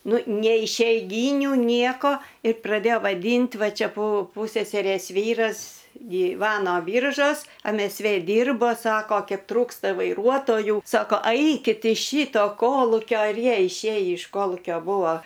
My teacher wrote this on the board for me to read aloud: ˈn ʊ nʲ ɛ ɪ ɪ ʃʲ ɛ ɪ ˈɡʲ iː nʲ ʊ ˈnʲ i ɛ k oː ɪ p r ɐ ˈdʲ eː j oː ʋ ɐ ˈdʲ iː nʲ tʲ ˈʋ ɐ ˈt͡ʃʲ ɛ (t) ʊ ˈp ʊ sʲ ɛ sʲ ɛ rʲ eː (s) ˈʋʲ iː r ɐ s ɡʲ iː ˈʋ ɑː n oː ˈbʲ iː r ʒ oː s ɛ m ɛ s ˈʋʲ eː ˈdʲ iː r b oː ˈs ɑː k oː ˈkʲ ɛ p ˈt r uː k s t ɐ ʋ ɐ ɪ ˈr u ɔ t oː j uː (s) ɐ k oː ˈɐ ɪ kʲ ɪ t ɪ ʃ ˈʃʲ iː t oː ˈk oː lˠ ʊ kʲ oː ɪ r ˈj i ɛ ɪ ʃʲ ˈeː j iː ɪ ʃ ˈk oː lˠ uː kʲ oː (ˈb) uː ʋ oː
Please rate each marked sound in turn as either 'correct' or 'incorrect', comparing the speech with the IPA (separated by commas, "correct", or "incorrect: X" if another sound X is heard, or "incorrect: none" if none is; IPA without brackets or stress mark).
incorrect: p, correct, correct, correct